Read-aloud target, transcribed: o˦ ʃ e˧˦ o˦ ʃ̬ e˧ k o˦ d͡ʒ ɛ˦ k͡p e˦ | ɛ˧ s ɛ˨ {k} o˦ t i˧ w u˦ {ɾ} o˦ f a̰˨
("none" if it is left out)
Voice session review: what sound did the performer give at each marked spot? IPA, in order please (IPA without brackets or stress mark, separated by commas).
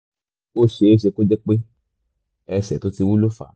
t, l